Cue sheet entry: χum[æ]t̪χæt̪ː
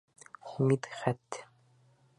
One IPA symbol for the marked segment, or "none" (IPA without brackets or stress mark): i